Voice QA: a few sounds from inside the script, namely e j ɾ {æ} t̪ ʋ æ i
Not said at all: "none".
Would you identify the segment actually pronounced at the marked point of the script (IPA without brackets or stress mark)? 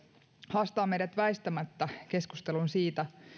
æ